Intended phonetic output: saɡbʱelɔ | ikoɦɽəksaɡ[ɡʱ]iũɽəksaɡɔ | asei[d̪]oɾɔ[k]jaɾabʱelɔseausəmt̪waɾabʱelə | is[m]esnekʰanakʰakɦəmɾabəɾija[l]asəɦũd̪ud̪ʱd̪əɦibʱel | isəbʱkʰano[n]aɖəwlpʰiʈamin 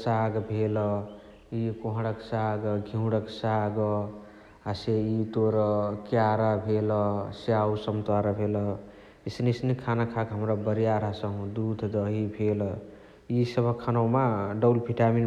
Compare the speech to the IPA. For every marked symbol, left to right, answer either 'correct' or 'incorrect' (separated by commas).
correct, incorrect, correct, incorrect, incorrect, incorrect